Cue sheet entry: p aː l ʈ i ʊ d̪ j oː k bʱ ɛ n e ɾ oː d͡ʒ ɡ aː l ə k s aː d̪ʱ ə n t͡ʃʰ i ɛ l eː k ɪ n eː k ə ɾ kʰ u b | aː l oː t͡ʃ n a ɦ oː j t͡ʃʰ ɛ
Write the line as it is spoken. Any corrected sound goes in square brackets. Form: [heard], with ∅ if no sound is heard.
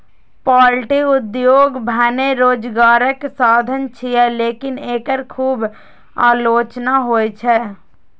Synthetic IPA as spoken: p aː l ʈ i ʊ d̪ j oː [ɡ] bʱ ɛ n e ɾ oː d͡ʒ ɡ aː [ɾ] ə k s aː d̪ʱ ə n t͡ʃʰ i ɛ l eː k ɪ n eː k ə ɾ kʰ [uː] b | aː l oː t͡ʃ n a ɦ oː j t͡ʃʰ ɛ